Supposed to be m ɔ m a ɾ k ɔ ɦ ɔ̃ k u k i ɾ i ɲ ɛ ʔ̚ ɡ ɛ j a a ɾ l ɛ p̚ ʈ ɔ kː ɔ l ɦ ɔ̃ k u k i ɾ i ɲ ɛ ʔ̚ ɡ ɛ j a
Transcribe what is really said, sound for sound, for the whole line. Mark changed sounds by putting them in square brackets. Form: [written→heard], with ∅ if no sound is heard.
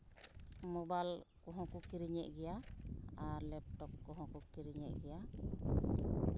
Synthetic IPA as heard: m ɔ [m→b] a [ɾ→l] k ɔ ɦ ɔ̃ k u k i ɾ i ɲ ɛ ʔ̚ ɡ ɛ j a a ɾ l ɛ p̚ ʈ ɔ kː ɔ [l→∅] ɦ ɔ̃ k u k i ɾ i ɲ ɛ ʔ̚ ɡ ɛ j a